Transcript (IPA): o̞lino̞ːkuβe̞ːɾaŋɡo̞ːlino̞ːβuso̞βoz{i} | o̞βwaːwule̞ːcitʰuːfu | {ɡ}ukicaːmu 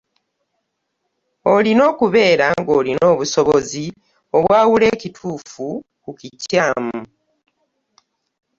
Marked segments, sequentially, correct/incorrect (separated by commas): correct, incorrect